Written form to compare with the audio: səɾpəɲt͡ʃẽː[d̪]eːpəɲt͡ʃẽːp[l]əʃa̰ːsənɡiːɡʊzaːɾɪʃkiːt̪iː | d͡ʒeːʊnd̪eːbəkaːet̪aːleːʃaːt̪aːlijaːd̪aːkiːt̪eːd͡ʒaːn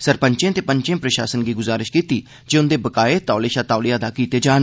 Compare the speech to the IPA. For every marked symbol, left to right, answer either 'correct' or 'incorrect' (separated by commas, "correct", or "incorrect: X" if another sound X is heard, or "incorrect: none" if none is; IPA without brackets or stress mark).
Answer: incorrect: t̪, incorrect: ɾ